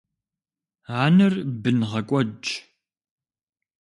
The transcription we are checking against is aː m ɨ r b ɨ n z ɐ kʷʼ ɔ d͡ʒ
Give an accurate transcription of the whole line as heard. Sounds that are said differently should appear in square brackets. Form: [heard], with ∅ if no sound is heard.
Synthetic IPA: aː [n] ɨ r b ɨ n [ʁ] ɐ kʷʼ ɔ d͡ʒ